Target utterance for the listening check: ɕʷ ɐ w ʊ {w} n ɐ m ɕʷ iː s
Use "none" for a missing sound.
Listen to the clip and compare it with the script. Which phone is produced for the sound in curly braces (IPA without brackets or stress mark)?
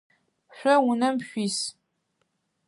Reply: none